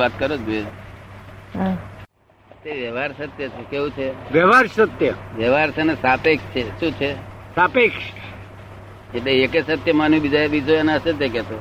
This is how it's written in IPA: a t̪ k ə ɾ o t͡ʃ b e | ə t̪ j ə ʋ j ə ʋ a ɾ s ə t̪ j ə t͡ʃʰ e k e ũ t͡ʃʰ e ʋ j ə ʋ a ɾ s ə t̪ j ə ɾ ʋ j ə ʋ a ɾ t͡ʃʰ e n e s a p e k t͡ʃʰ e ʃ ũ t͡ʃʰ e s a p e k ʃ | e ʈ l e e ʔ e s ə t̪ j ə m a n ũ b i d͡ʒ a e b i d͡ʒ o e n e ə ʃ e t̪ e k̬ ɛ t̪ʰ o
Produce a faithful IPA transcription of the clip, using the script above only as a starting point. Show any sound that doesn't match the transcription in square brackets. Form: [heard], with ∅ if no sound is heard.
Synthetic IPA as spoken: a t̪ k ə ɾ o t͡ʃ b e | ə t̪ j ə ʋ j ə ʋ a ɾ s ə t̪ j ə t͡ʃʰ e k e ũ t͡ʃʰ e ʋ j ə ʋ a ɾ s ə t̪ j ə [∅] ʋ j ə ʋ a ɾ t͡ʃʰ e n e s a p e k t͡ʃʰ e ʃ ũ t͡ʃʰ e s a p e k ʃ | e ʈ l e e [k] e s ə t̪ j ə m a n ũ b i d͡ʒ a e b i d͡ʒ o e n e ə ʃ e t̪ e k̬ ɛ [t̪] o